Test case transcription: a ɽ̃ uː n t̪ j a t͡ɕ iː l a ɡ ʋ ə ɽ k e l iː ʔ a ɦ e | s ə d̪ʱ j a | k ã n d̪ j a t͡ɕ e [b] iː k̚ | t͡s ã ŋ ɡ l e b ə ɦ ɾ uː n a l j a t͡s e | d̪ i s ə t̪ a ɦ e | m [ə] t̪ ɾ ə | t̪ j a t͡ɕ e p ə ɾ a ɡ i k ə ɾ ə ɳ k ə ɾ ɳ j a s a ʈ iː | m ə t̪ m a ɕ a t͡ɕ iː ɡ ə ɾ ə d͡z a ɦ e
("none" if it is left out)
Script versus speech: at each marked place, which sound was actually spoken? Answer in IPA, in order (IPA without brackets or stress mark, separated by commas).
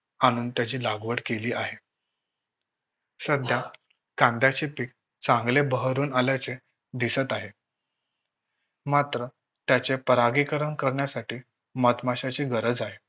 p, a